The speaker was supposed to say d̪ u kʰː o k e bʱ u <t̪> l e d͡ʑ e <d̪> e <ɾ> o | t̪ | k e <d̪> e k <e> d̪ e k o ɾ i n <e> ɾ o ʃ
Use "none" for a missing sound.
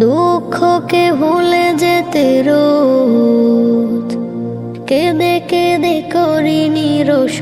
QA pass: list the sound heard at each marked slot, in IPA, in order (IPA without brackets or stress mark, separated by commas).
none, t̪, ɾ, d̪, e, i